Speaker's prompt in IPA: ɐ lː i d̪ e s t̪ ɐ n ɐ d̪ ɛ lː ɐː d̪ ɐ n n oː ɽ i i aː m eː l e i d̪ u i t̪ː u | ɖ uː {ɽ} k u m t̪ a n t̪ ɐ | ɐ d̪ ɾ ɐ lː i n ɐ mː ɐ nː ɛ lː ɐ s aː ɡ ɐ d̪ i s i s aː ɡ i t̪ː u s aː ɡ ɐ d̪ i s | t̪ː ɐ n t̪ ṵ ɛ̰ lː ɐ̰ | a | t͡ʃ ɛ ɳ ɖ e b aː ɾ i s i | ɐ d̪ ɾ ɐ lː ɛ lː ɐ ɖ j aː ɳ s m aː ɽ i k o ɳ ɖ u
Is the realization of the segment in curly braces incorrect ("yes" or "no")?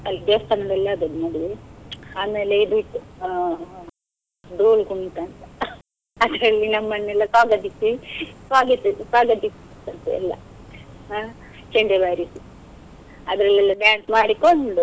yes